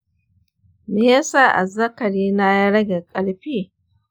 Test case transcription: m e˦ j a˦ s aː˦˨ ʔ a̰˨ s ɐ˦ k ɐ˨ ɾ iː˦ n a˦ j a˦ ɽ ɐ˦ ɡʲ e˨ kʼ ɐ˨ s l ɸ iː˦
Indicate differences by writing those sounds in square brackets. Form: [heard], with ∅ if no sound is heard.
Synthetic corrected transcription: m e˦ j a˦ s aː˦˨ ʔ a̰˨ [z] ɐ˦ k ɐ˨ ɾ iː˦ n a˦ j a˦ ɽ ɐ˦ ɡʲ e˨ kʼ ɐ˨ [∅] l ɸ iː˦